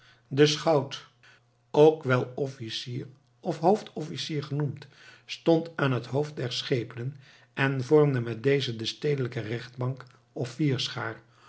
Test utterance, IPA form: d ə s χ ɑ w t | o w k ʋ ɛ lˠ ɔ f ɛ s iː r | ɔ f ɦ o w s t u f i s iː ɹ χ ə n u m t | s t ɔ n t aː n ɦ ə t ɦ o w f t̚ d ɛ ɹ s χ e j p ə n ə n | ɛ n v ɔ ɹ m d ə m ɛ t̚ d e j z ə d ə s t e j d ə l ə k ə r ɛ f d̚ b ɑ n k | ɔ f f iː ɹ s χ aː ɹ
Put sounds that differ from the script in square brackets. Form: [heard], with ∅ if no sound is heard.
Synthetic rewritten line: d ə s χ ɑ w t | o w k ʋ ɛ lˠ ɔ f [i] s iː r | ɔ f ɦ o w [f] t [ɔ] f i s iː ɹ χ ə n u m t | s t ɔ n t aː n ɦ ə t ɦ o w f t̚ d ɛ ɹ s χ e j p ə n ə n | ɛ n v ɔ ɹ m d ə m ɛ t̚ d e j z ə d ə s t e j d ə l ə k ə r ɛ [χ] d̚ b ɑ [ŋ] k | ɔ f f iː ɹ s χ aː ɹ